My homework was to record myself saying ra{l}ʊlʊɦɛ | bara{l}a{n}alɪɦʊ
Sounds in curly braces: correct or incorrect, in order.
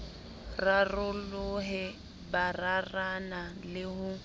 incorrect: r, incorrect: r, correct

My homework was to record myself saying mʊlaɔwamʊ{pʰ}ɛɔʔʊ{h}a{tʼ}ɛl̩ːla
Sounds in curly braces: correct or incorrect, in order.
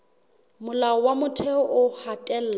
incorrect: tʰ, correct, correct

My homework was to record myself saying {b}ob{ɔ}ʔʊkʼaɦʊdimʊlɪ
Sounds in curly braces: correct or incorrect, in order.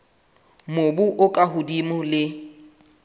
incorrect: m, incorrect: u

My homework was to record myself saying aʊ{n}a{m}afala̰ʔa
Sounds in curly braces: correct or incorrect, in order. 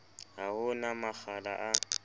correct, correct

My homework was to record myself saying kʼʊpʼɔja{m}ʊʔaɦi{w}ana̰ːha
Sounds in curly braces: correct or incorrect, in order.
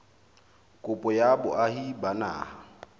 incorrect: b, incorrect: b

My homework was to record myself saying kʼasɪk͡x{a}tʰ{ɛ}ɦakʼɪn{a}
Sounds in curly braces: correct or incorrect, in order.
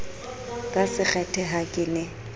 incorrect: ɛ, correct, incorrect: ɛ

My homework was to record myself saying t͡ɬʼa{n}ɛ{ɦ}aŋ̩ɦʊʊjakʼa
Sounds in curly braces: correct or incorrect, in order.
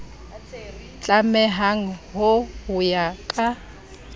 incorrect: m, correct

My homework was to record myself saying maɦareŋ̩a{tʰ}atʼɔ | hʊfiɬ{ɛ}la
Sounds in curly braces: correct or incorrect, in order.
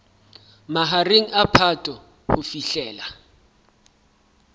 incorrect: pʰ, incorrect: ɛː

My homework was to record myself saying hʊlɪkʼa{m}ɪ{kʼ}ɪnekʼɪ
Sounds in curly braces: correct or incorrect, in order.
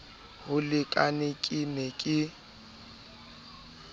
incorrect: n, correct

